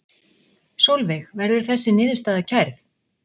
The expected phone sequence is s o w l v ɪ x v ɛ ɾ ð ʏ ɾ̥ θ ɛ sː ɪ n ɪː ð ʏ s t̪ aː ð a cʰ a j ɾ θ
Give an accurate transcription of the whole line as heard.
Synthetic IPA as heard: s o w l v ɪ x v ɛ ɾ ð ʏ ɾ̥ θ ɛ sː ɪ n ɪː ð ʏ s t̪ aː ð a cʰ a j ɾ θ